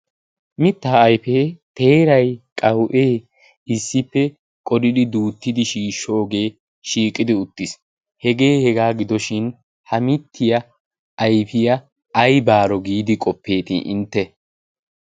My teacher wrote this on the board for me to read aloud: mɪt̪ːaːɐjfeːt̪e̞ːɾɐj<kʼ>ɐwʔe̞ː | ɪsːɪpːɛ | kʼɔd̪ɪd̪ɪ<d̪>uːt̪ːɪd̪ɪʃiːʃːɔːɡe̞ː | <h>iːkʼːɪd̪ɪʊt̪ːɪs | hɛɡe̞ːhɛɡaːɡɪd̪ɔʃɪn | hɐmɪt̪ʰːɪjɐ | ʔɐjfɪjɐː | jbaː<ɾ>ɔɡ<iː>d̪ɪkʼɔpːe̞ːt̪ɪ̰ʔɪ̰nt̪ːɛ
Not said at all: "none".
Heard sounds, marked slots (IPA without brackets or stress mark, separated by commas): kʼ, d̪, ʃ, ɾ, iː